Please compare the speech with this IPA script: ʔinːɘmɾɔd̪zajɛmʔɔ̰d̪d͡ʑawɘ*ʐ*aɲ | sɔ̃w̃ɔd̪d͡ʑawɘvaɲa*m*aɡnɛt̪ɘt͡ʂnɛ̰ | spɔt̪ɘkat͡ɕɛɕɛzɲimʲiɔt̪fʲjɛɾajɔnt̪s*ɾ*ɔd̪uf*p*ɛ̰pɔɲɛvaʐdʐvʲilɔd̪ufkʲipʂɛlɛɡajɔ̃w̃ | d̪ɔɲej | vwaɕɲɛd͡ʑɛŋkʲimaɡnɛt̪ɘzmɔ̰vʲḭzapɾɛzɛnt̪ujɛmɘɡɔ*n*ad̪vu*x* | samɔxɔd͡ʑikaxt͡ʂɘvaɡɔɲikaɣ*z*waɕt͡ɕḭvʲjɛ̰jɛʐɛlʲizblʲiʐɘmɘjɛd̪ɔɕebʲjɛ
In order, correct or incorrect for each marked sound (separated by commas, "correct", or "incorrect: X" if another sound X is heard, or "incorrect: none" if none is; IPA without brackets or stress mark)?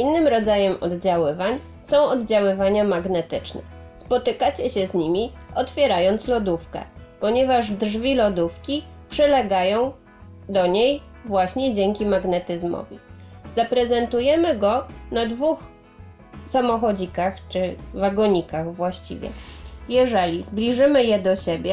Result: incorrect: v, correct, incorrect: l, incorrect: k, correct, correct, incorrect: v